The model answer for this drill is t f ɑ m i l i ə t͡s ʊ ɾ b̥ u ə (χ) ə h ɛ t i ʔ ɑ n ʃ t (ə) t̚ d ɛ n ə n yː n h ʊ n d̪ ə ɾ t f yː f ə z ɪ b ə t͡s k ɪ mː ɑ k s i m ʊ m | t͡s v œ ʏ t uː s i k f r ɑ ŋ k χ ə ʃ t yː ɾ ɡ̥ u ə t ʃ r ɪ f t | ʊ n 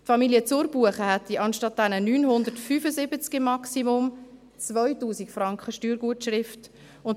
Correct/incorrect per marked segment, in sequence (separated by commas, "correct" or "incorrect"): correct, incorrect